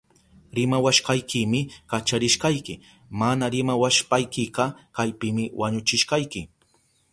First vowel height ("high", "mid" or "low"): high